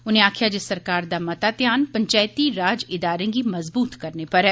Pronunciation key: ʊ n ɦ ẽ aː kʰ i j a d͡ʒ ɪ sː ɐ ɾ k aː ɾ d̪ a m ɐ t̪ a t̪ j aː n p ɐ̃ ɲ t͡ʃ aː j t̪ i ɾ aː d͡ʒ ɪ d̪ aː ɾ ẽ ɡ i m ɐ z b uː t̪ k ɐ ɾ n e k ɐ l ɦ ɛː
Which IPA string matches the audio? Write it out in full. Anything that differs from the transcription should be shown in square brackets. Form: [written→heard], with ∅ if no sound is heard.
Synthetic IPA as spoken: ʊ n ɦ ẽ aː kʰ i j a d͡ʒ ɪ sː ɐ ɾ k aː ɾ d̪ a m ɐ t̪ a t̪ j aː n p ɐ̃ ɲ t͡ʃ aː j t̪ i ɾ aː d͡ʒ ɪ d̪ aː ɾ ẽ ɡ i m ɐ z b uː t̪ k ɐ ɾ n e [k→p] ɐ [l→ɾ] ɦ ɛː